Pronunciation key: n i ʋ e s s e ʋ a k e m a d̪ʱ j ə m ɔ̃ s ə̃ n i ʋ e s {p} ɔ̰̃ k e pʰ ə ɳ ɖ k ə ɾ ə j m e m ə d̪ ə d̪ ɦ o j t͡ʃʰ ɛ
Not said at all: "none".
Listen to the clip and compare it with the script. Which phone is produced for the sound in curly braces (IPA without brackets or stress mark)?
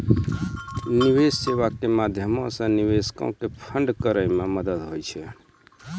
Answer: k